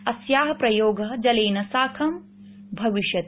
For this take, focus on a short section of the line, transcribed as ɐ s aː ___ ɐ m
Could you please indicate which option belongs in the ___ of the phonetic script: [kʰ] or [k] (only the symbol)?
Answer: kʰ